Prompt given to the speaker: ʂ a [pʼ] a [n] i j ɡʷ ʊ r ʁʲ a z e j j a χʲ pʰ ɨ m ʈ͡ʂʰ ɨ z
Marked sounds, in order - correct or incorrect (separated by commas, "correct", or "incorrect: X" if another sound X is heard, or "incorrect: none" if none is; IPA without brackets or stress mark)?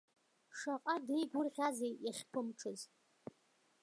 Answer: incorrect: qʼ, incorrect: d